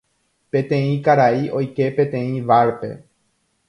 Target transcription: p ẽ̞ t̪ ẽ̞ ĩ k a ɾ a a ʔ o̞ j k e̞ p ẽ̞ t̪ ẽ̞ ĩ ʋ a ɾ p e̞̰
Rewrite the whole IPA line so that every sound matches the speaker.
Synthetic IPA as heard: p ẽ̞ t̪ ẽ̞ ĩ k a ɾ a i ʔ o̞ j k e̞ p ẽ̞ t̪ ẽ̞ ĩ ʋ a ɾ p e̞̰